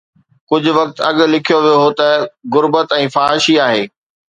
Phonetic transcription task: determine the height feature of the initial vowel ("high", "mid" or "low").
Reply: high